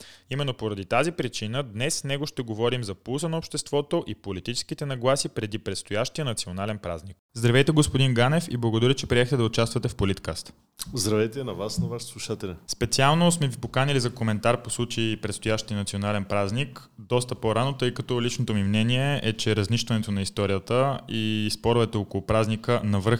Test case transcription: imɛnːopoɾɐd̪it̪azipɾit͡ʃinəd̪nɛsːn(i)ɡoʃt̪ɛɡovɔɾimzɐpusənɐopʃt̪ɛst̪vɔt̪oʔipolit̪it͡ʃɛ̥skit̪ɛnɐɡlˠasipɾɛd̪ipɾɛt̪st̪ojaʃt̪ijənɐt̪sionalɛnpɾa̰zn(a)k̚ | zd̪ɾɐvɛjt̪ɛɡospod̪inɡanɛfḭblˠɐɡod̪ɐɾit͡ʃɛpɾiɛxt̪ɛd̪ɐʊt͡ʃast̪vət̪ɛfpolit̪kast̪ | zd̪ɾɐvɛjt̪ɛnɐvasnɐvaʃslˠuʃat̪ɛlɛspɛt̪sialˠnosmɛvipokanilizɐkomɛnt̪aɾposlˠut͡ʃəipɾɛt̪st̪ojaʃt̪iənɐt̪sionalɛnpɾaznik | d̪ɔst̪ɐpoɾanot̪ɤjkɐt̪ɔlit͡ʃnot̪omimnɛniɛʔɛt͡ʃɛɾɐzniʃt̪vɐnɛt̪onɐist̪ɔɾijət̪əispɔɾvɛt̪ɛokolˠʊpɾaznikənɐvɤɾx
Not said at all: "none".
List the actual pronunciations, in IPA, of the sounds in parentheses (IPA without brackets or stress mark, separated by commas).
ɛ, i